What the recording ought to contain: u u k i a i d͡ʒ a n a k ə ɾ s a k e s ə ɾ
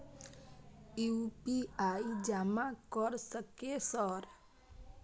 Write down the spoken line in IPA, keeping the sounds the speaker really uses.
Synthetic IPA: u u p i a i d͡ʒ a m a k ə ɾ s ə k e s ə ɾ

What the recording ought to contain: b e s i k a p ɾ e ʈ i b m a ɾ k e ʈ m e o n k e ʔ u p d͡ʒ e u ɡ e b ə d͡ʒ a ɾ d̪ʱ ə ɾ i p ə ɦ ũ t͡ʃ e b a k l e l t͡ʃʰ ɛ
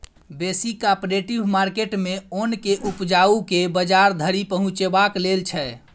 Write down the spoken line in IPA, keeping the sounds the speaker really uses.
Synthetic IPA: b e s i k a p ɾ e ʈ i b m a ɾ k e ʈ m e o n k e ʔ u p d͡ʒ a u k e b ə d͡ʒ a ɾ d̪ʱ ə ɾ i p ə ɦ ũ t͡ʃ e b a k l e l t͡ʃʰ ɛ

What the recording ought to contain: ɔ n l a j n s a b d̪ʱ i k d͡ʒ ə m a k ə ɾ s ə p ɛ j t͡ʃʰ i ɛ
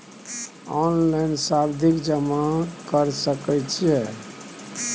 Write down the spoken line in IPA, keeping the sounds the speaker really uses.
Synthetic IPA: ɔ n l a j n s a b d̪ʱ i k d͡ʒ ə m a k ə ɾ s ə k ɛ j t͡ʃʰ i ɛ

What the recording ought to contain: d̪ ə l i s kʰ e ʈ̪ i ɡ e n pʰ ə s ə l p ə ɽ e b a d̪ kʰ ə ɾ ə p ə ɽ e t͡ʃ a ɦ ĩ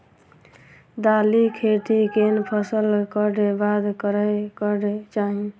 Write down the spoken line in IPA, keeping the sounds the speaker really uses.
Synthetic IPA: d̪ a l i kʰ e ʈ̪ i k e n pʰ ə s ə l k ə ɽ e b a d̪ k ə ɾ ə k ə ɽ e t͡ʃ a ɦ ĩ

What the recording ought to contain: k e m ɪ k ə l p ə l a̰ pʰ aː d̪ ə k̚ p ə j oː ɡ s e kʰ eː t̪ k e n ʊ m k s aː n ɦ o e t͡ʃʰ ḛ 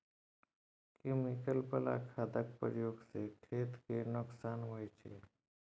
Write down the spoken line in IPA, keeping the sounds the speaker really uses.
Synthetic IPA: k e m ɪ k ə l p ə l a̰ kʰ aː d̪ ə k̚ p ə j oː ɡ s e kʰ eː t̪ k e n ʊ k s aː n ɦ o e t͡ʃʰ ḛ

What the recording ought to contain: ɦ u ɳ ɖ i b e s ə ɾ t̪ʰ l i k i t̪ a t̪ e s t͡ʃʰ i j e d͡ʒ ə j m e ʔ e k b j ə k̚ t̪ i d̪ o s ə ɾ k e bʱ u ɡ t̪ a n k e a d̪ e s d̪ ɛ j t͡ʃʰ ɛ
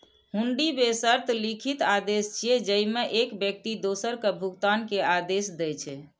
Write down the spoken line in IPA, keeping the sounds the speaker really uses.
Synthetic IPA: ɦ u ɳ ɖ i b e s ə ɾ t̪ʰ l i kʰ i t̪ a d̪ e s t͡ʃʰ i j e d͡ʒ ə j m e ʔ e k b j ə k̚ t̪ i d̪ o s ə ɾ k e bʱ u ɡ t̪ a n k e a d̪ e s d̪ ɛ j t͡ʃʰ ɛ

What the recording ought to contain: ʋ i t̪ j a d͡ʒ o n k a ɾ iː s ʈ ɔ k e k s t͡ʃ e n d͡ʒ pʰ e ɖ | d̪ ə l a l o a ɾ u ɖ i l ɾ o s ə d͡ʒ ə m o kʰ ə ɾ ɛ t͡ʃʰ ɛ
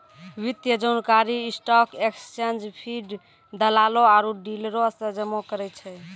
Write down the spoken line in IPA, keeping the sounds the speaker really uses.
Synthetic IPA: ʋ i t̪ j ə d͡ʒ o n k a ɾ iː s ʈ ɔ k e k s t͡ʃ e n d͡ʒ pʰ i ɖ | d̪ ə l a l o a ɾ u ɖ i l ɾ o s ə d͡ʒ ə m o k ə ɾ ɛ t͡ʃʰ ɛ

